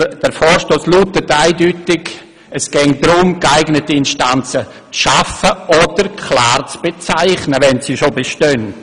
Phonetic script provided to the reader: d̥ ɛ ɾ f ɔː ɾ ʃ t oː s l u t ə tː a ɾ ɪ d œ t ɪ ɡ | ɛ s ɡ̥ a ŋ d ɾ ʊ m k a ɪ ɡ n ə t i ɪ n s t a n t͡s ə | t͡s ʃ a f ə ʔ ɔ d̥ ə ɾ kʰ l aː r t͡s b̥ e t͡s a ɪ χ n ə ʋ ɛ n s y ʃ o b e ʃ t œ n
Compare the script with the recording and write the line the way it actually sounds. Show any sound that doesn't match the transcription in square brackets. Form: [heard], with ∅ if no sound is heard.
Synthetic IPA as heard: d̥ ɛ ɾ f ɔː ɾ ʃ t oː s l u t ə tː a [∅] ɪ d [y] t ɪ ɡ | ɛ s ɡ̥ [ɛ] ŋ d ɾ ʊ m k a ɪ ɡ n ə t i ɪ n [ʃ] t a n t͡s ə | t͡s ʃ a f ə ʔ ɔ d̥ ə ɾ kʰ l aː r t͡s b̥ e t͡s a ɪ χ n ə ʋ ɛ n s [i] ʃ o b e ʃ t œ n

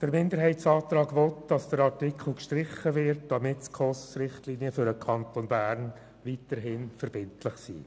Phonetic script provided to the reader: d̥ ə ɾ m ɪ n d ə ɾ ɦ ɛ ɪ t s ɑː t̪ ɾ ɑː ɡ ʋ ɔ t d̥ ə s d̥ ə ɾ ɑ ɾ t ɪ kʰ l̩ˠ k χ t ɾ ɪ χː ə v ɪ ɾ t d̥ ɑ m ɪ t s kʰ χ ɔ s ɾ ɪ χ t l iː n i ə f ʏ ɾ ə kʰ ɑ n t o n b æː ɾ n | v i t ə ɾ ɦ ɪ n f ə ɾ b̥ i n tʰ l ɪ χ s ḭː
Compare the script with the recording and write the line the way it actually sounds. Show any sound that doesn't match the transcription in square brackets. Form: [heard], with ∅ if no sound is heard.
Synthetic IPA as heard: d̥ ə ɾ m ɪ n d ə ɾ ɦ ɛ ɪ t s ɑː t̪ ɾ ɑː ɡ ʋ ɔ t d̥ [ɑ] s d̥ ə ɾ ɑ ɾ t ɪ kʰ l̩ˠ k [ʃ] t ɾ ɪ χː ə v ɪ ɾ t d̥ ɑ m ɪ t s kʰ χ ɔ s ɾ ɪ χ t l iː n i ə f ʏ ɾ ə kʰ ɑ n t o n b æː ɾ n | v i t ə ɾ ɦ ɪ n f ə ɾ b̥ [ɪ] n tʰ l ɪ χ s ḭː

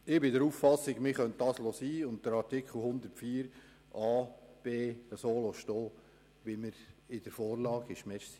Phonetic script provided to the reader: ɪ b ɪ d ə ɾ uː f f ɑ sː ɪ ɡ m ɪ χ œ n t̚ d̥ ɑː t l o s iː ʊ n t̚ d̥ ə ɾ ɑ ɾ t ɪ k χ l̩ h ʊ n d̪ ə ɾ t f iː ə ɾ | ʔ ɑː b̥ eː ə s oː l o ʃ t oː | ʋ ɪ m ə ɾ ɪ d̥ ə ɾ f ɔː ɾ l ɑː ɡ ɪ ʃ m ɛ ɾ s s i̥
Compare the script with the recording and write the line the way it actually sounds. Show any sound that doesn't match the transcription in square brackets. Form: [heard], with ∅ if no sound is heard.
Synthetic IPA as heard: ɪ b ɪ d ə ɾ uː f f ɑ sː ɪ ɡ m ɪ χ œ n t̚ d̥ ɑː [s] l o s iː ʊ n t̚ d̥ ə ɾ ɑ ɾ t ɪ k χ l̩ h ʊ n d̪ ə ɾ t f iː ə ɾ | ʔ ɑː b̥ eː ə s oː l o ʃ t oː | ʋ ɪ m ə ɾ ɪ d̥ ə ɾ f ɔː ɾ l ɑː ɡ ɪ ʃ m ɛ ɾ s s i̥

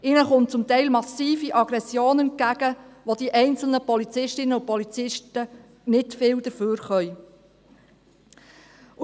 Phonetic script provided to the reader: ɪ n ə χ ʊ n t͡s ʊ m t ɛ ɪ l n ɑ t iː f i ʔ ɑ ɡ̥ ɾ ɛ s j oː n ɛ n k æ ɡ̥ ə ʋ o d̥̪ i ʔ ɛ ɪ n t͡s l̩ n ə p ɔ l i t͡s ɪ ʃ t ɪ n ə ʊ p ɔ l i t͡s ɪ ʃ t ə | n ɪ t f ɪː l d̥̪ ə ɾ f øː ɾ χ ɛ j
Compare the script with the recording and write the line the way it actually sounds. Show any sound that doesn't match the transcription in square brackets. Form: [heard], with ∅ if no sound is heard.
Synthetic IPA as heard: ɪ n ə χ ʊ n t͡s ʊ m t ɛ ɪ l [m] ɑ [s] iː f i ʔ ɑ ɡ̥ ɾ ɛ s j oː n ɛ n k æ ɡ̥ ə ʋ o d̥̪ i ʔ ɛ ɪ n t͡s l̩ n ə p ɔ l i t͡s ɪ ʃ t ɪ n ə ʊ p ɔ l i t͡s ɪ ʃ t ə | n ɪ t f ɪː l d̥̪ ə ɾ f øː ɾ χ [œ] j

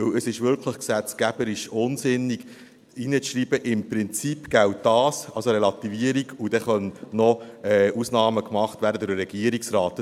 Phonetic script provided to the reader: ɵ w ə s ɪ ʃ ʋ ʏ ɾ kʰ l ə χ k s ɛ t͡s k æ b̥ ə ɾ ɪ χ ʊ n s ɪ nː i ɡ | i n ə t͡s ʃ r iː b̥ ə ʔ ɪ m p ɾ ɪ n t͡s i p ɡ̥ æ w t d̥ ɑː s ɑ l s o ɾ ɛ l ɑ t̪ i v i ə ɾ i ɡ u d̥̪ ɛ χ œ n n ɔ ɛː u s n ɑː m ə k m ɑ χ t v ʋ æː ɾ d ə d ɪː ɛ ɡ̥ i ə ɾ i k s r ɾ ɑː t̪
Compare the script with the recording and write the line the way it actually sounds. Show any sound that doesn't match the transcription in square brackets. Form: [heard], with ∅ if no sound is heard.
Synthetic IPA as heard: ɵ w ə s ɪ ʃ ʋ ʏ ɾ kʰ l ə χ k s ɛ t͡s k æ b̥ ə ɾ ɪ [ʃ] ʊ n s ɪ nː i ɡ | i n ə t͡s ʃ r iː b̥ ə ʔ ɪ m p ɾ ɪ n t͡s i p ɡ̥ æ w t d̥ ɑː s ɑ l s o ɾ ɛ l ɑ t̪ i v i ə ɾ i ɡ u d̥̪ ɛ χ œ n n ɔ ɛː u s n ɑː m ə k m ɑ χ t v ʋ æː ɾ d ə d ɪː ɛ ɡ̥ i ə ɾ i k s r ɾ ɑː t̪

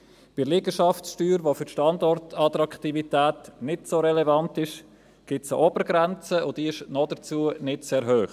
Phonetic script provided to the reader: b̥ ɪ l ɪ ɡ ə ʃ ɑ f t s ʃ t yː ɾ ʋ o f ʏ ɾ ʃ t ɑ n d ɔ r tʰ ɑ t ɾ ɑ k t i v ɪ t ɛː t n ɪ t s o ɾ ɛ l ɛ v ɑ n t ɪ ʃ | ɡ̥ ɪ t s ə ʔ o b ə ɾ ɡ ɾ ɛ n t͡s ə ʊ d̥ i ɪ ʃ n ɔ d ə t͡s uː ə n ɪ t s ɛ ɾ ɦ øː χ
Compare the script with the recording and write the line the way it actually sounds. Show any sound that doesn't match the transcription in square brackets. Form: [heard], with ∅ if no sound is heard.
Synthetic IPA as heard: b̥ ɪ l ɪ ɡ ə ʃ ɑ f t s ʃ t yː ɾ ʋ o f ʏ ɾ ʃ t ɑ n d ɔ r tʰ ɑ t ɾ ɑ k t i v [i] t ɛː t n ɪ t s o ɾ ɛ l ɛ v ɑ n t ɪ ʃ | ɡ̥ ɪ t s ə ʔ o b ə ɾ ɡ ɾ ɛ n t͡s ə ʊ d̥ i ɪ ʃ n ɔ d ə t͡s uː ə n ɪ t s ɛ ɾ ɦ øː χ

